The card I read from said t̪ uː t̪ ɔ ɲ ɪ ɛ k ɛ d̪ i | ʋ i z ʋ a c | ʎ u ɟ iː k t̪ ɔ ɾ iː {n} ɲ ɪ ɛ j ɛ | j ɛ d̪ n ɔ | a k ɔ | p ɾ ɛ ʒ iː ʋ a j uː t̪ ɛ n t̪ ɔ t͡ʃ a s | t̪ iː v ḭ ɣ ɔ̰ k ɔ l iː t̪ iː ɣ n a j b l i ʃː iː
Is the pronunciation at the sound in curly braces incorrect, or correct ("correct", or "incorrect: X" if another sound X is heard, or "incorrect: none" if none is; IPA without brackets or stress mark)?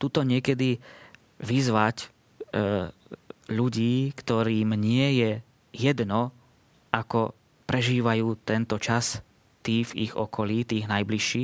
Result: incorrect: m